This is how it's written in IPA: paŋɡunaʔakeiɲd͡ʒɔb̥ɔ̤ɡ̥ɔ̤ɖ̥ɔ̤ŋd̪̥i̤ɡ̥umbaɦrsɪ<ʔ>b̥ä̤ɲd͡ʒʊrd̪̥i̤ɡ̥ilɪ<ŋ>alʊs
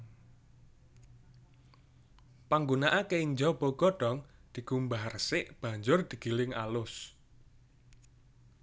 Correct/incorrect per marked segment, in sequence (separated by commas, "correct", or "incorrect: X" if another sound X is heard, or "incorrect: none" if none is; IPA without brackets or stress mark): correct, correct